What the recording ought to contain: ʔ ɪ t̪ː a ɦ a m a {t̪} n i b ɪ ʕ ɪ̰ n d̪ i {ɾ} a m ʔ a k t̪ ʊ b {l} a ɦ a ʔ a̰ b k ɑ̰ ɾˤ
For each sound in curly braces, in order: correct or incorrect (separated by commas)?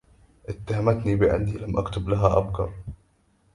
correct, incorrect, correct